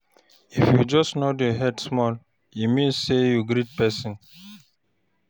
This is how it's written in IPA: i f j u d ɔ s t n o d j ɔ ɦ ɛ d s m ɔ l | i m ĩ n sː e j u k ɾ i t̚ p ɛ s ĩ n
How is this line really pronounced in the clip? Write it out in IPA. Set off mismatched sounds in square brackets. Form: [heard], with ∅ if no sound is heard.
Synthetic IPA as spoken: i f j u [d͡ʒ] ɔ s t n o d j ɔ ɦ ɛ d s m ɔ l | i m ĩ n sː e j u [ɡ] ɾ i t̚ p ɛ s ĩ n